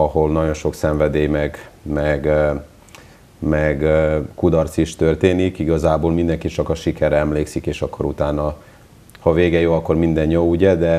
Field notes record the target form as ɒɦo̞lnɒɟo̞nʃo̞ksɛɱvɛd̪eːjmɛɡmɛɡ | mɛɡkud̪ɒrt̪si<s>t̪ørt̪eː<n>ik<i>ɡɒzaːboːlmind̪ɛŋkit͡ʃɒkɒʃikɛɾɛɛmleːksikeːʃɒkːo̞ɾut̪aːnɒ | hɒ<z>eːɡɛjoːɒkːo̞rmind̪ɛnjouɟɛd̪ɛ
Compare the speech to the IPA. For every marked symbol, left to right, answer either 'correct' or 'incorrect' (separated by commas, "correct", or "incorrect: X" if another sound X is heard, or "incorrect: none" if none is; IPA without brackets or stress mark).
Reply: incorrect: ʃ, correct, correct, incorrect: v